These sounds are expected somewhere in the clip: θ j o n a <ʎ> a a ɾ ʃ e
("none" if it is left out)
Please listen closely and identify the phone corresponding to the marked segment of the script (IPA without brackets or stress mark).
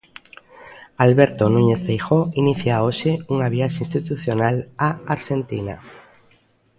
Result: l